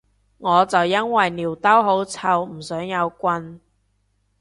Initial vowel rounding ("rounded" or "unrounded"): rounded